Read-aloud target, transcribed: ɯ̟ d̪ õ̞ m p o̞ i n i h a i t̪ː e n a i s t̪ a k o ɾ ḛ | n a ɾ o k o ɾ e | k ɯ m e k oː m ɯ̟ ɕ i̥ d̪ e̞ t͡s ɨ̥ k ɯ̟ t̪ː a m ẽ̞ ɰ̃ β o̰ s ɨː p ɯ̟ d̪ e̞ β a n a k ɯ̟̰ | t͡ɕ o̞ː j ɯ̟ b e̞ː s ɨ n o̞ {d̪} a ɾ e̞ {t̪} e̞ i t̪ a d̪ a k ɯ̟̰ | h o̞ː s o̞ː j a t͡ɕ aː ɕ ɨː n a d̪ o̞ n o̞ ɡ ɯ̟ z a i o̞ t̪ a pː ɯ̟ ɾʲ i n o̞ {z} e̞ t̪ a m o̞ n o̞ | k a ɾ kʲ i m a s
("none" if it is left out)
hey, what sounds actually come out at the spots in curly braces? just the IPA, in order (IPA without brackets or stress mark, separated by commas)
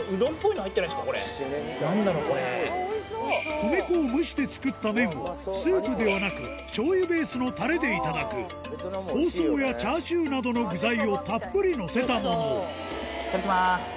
t̪, d̪, s